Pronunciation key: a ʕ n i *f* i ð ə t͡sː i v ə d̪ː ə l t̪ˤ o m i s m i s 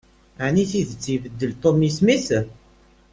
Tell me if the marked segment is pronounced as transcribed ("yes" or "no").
no